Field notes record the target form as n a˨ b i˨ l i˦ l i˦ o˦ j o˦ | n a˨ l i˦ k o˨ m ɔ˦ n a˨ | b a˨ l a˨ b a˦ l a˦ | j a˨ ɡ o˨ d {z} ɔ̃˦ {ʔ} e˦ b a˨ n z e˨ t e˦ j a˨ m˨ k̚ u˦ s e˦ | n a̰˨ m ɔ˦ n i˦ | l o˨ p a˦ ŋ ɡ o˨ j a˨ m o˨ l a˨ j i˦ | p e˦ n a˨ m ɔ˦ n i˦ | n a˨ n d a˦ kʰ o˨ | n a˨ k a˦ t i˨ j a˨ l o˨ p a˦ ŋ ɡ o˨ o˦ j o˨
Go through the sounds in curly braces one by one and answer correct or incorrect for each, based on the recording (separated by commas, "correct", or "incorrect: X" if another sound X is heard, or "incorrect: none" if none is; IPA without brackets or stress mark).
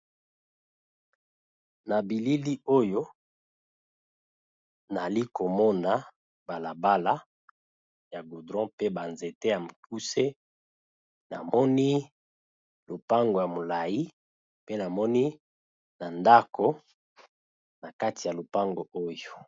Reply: incorrect: ʁ, incorrect: p